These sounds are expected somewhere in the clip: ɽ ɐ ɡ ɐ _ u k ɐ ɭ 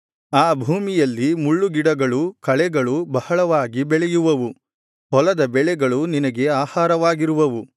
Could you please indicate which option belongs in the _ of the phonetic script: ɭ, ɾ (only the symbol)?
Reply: ɭ